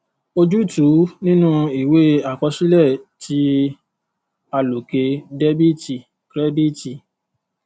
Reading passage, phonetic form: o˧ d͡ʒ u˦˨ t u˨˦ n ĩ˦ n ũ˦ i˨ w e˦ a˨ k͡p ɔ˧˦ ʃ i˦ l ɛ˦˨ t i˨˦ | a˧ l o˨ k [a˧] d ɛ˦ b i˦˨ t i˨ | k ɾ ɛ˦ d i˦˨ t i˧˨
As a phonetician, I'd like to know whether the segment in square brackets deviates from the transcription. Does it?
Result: yes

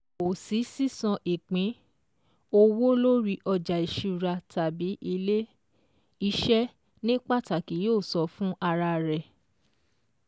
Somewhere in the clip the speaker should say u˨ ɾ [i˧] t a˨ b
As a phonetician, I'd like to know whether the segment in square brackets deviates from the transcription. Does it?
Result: yes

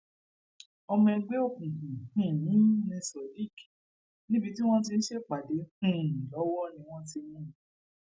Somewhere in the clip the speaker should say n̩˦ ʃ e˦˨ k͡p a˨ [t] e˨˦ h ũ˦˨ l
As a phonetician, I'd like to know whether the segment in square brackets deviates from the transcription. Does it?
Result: yes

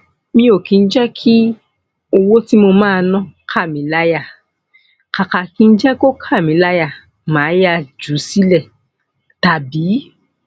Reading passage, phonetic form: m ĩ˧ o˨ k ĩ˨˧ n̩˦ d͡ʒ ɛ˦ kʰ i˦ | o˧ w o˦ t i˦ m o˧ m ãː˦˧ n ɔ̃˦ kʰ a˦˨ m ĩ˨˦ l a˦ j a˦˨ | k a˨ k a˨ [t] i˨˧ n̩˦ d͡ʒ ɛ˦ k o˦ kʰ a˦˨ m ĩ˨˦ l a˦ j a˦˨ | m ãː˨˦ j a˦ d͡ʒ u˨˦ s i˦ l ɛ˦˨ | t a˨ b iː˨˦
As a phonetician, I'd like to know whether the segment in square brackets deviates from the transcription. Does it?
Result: yes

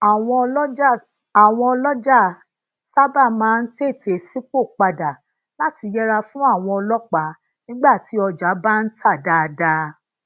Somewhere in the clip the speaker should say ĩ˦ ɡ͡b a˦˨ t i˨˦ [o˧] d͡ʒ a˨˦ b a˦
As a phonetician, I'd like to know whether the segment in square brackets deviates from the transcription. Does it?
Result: yes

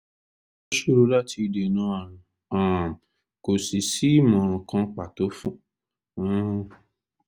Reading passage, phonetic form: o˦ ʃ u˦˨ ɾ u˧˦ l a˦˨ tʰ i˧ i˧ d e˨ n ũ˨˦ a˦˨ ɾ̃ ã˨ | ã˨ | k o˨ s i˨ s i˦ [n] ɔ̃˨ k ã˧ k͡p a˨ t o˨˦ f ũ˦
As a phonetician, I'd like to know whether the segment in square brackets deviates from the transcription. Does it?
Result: yes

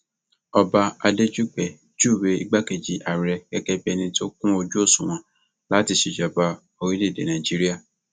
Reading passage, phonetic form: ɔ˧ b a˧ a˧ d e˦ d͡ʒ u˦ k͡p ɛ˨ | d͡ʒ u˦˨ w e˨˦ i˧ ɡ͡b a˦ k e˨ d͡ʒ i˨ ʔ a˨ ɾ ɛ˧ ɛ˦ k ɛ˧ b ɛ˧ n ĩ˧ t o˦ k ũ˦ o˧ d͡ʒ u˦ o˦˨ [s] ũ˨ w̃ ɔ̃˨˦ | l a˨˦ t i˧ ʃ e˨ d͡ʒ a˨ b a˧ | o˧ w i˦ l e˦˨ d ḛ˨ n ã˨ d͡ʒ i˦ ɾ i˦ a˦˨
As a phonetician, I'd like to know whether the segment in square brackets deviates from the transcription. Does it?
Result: no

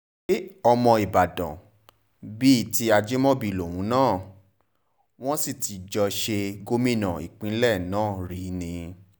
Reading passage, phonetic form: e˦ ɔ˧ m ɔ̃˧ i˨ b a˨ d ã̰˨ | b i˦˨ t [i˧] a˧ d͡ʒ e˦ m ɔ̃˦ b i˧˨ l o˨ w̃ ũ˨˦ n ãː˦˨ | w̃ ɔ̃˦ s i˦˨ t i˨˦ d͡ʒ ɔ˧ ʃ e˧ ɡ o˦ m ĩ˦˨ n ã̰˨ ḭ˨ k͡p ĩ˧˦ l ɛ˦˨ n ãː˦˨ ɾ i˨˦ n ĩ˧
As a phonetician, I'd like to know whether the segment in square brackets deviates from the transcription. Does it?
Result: no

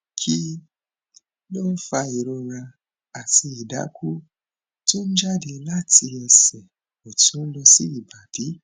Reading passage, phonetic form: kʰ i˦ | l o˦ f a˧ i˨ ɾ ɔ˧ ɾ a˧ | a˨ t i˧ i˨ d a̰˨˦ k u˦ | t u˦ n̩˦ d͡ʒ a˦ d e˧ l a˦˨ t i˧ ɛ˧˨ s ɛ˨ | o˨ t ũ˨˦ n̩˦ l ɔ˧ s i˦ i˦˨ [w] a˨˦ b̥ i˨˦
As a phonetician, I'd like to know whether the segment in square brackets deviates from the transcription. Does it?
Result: yes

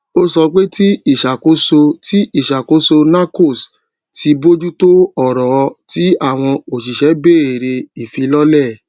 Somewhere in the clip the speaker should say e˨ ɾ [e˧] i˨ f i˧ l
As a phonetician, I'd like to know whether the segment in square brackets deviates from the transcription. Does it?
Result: no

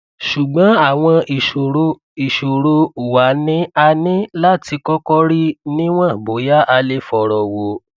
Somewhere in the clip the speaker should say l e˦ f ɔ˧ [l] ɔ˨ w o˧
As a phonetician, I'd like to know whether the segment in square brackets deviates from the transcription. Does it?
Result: yes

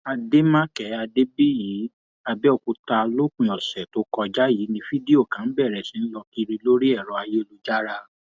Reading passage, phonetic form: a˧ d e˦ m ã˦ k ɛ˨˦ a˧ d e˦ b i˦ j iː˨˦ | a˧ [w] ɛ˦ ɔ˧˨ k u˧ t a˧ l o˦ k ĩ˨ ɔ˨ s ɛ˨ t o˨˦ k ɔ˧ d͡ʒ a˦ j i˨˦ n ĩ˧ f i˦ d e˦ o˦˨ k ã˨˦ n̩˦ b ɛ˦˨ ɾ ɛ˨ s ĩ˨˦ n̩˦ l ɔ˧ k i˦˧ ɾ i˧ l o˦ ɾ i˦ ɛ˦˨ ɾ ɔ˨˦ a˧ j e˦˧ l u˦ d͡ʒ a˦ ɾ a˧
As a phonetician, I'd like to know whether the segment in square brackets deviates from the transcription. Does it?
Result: yes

